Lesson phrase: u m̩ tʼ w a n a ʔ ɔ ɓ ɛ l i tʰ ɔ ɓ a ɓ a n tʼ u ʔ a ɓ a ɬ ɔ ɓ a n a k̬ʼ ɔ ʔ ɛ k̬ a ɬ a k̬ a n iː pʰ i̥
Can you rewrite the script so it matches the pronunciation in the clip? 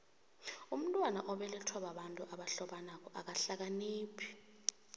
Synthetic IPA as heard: u m̩ tʼ w a n a ʔ ɔ ɓ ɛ l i tʰ ɔ ɓ a ɓ a n tʼ u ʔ a ɓ a ɬ ɔ ɓ a n a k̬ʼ ɔ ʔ a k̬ a ɬ a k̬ a n iː pʰ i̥